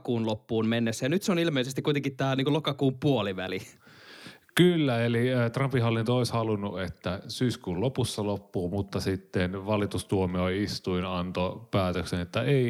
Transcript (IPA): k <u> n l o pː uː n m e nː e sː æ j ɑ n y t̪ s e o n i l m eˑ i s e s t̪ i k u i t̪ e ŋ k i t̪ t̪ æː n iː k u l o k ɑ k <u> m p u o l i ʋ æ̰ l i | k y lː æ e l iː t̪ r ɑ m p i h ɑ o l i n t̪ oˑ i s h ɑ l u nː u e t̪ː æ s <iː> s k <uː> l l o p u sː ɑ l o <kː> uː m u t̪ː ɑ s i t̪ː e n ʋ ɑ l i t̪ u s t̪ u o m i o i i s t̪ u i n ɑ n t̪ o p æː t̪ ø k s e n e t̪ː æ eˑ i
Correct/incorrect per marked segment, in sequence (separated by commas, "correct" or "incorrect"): incorrect, incorrect, incorrect, correct, incorrect